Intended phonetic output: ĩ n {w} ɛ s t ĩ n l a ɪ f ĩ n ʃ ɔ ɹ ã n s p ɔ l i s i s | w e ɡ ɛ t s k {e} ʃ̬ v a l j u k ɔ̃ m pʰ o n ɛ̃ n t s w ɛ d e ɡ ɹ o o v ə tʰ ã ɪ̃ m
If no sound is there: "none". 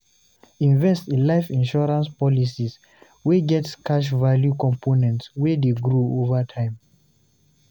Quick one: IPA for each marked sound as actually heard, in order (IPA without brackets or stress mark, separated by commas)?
v, a